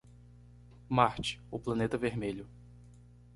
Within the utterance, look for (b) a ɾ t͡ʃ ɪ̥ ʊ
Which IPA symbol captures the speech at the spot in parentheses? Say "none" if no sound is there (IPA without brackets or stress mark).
m